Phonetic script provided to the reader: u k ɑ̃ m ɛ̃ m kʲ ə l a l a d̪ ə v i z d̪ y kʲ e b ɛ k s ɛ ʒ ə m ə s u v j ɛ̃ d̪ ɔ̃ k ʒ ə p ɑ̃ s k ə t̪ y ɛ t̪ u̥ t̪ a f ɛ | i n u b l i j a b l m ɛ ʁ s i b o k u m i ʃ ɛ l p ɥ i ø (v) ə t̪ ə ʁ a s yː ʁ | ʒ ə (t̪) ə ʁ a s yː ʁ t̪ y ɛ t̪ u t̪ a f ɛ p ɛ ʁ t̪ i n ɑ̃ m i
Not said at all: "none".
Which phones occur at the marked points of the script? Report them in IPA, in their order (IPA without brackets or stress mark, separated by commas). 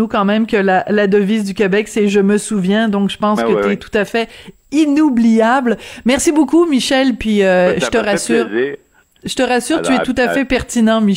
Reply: ʒ, t̪